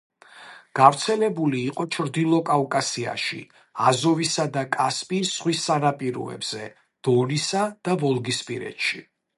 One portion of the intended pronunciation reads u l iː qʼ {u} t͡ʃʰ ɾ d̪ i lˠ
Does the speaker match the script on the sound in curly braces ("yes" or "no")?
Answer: no